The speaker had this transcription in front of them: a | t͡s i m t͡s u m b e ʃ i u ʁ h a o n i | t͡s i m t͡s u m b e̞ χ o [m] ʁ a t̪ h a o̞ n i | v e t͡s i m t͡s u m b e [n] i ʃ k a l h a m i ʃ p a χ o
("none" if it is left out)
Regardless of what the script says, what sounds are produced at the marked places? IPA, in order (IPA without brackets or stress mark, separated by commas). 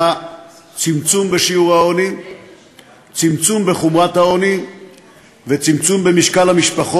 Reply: m, m